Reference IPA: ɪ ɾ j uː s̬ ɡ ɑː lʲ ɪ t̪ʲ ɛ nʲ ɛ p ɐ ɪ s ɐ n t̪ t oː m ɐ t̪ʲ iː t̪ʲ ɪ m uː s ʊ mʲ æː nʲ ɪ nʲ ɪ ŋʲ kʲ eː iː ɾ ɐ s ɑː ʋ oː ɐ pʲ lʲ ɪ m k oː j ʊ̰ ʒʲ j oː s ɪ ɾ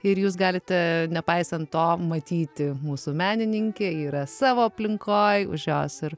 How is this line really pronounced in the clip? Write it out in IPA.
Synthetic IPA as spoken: ɪ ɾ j uː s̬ ɡ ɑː lʲ ɪ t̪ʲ ɛ nʲ ɛ p ɐ ɪ s ɐ n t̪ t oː m ɐ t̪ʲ iː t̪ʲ ɪ m uː s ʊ mʲ æː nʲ ɪ nʲ ɪ ŋʲ kʲ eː iː ɾ ɐ s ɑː ʋ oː ɐ pʲ lʲ ɪ ŋ k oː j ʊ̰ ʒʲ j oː s ɪ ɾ